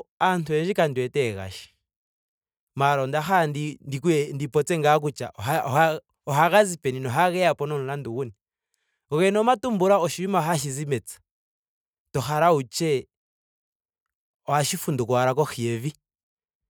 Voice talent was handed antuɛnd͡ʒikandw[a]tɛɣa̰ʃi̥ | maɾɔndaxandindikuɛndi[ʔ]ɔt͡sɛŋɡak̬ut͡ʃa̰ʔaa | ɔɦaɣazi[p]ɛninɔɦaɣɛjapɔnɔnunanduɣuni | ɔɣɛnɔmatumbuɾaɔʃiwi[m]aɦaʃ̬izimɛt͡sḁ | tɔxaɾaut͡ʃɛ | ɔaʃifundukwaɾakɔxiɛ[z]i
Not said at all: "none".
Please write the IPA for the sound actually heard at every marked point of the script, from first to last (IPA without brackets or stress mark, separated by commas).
ɛ, p, p, m, v